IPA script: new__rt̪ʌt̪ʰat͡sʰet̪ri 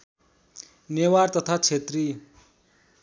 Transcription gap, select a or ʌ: a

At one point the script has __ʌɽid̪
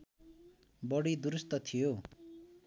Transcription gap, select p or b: b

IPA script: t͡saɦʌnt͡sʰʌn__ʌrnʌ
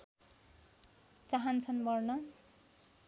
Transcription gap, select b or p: b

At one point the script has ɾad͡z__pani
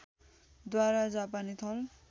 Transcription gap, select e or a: a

